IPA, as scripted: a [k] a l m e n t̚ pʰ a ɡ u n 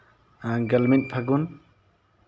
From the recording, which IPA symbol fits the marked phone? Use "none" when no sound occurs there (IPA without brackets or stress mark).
ɡ